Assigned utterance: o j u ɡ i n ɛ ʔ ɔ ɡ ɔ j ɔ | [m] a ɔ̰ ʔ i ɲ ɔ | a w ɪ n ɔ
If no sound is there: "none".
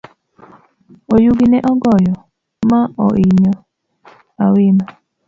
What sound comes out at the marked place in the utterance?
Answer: m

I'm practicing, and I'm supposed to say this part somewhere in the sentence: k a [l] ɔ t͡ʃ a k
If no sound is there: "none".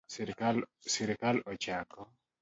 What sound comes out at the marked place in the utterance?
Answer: l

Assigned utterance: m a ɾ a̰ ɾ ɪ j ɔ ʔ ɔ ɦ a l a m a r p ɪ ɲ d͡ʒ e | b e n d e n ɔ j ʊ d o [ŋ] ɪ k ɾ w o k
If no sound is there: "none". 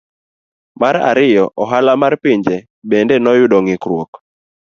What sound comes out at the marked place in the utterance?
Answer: ŋ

